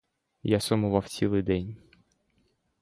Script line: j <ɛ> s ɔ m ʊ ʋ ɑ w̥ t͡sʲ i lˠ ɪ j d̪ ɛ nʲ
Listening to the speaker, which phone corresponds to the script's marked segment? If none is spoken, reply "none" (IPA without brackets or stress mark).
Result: a